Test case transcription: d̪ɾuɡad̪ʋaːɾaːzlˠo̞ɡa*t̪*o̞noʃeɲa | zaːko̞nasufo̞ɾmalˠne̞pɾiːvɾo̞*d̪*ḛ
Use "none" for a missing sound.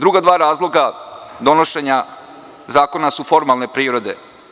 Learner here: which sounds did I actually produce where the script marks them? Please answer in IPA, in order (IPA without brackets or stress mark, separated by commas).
d̪, d̪